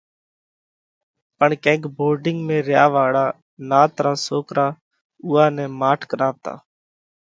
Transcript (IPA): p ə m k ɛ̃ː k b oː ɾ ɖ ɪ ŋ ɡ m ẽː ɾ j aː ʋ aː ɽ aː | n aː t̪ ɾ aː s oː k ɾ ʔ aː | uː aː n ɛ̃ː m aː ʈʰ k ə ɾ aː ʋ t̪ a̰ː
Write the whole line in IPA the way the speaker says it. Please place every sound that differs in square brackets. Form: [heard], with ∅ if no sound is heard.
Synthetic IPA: p ə [ɳ] k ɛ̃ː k b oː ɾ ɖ ɪ ŋ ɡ m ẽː ɾ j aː ʋ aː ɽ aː | n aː t̪ ɾ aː s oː k ɾ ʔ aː | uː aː n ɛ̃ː m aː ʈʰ k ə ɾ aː ʋ t̪ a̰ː

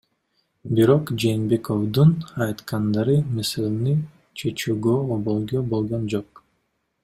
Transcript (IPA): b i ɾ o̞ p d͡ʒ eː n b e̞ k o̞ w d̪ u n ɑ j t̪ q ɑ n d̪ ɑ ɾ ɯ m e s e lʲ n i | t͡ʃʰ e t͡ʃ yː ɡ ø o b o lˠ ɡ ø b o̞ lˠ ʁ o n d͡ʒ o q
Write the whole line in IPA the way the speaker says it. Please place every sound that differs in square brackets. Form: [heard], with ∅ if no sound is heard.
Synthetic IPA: b i ɾ o̞ [q] d͡ʒ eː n b e̞ k o̞ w d̪ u n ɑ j t̪ q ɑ n d̪ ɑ ɾ ɯ m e s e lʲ n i | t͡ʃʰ e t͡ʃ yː ɡ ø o b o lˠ ɡ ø b o̞ lˠ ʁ o n d͡ʒ o q

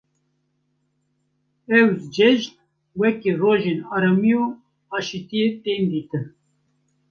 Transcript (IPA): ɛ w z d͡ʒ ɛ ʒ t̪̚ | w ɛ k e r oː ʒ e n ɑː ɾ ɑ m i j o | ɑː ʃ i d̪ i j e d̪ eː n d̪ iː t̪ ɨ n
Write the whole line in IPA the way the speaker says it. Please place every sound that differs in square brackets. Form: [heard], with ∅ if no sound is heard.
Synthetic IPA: ɛ w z d͡ʒ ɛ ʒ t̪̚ | w ɛ k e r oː ʒ e n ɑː ɾ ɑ m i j o | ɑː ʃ i [t̪] i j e [t̪] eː n d̪ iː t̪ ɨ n

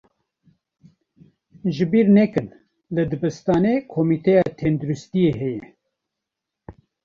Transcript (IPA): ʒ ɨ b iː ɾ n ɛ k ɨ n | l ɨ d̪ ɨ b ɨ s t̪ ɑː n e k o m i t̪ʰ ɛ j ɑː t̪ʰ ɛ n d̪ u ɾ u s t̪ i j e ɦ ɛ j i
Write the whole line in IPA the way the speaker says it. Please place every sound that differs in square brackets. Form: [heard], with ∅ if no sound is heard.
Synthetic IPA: ʒ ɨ b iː ɾ n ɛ k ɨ n | l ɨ d̪ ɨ b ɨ s t̪ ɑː n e [kʰ] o m i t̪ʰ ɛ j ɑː t̪ʰ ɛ n d̪ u ɾ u s t̪ i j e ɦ ɛ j [ɛ]

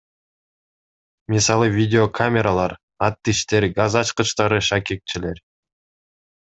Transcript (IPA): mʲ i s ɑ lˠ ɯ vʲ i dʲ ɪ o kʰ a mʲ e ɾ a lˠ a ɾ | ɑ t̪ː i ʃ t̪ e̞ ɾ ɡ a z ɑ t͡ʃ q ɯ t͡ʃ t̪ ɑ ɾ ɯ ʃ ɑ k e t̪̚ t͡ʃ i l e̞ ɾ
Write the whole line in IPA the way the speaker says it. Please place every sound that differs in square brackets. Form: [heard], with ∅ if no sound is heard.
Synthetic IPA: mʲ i s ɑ lˠ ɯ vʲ i dʲ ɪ o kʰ a mʲ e ɾ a lˠ [ɑ] ɾ | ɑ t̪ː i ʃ t̪ e̞ ɾ ɡ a z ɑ t͡ʃ q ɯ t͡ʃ t̪ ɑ ɾ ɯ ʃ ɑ k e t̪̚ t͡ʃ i l e̞ ɾ

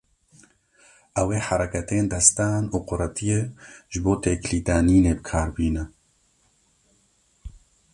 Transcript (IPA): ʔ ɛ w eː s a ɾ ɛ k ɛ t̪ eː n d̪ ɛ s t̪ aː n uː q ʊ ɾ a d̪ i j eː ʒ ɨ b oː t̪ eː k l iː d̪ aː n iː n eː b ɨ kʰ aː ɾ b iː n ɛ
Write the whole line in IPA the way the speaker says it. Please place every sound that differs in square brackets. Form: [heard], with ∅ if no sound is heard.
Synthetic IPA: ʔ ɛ w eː [ħ] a ɾ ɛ k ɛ t̪ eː n d̪ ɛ s t̪ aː n uː q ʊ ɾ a [t̪] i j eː ʒ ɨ b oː t̪ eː k l iː d̪ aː n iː n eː b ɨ kʰ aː ɾ b iː n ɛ

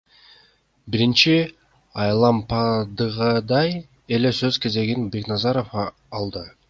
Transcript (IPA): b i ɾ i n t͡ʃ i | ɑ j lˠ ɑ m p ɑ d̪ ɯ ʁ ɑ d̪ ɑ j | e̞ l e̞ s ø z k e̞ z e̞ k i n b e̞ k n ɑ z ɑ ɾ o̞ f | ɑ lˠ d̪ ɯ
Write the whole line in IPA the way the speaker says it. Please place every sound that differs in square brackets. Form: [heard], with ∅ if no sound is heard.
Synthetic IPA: b i ɾ i n t͡ʃ i | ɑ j lˠ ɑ m p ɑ d̪ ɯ ʁ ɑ d̪ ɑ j | e̞ l e̞ s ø z k e̞ z e̞ [ɡ] i n b e̞ k n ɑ z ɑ ɾ o̞ f | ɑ lˠ d̪ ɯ

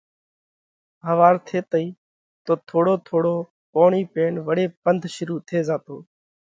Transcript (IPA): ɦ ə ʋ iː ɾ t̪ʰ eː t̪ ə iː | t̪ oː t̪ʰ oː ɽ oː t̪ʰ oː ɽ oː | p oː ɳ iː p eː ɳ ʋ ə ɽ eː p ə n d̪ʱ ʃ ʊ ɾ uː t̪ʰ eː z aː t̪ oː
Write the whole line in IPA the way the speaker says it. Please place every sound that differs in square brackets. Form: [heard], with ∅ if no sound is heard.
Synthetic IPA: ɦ ə ʋ [aː] ɾ t̪ʰ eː t̪ ə iː | t̪ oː t̪ʰ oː ɽ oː t̪ʰ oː ɽ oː | p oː ɳ iː p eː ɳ ʋ ə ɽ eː p ə n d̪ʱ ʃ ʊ ɾ uː t̪ʰ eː z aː t̪ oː

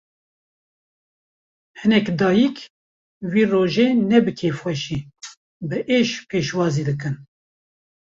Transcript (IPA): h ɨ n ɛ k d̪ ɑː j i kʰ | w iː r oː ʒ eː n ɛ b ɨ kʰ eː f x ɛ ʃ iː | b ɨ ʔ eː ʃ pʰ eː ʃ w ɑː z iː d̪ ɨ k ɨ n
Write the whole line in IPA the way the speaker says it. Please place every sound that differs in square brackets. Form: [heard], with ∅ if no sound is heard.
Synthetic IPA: h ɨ n ɛ k d̪ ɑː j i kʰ | w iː r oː ʒ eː n ɛ b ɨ kʰ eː f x ɛ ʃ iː | b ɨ ʔ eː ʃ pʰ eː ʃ w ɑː z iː d̪ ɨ k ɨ n

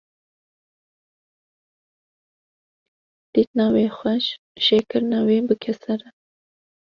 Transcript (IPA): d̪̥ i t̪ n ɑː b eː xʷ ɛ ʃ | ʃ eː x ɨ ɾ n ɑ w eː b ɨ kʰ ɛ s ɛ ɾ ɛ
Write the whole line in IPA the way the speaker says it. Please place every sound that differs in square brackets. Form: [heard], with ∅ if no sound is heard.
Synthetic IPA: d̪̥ i t̪ n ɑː [w] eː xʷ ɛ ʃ | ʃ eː [k] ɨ ɾ n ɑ w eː b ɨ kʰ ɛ s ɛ ɾ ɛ

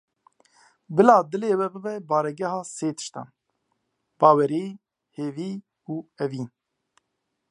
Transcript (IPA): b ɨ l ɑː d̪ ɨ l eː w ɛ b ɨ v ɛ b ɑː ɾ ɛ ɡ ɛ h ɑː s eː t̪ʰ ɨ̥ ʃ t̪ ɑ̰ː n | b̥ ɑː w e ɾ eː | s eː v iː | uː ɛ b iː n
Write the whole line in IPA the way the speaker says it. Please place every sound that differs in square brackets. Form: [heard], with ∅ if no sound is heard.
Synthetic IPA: b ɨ l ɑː d̪ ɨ l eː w ɛ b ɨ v ɛ b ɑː ɾ ɛ ɡ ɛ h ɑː s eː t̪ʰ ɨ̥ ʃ t̪ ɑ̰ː n | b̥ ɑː w [ɛ] ɾ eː | [h] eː v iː | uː ɛ [v] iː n

